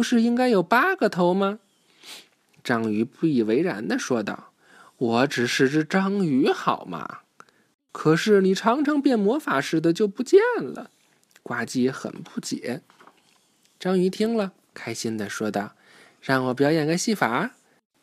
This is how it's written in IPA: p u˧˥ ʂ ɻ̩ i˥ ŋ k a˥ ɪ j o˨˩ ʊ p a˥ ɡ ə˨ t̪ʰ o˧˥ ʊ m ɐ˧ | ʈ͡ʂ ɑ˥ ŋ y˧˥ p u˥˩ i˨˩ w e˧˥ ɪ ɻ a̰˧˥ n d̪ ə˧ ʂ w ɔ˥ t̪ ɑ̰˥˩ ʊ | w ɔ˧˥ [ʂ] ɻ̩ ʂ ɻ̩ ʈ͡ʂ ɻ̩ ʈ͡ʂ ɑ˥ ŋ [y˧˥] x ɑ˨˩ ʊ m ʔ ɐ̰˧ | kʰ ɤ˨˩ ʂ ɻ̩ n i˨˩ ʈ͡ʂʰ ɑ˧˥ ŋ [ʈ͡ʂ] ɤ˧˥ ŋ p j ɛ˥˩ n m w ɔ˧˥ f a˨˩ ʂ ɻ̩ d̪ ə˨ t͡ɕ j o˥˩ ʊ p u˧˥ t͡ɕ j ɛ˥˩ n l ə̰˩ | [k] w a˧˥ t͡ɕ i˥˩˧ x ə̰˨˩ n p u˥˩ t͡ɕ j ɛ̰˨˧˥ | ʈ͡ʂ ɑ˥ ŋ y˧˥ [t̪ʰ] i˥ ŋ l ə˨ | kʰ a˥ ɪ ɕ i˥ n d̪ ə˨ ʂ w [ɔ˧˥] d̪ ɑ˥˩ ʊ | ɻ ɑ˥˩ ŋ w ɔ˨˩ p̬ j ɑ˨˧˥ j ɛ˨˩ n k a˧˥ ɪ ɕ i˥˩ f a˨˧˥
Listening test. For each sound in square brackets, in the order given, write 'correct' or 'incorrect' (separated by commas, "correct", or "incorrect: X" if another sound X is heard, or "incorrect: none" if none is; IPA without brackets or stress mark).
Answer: incorrect: ʈ͡ʂ, correct, incorrect: ʈ͡ʂʰ, correct, correct, incorrect: ɔ˥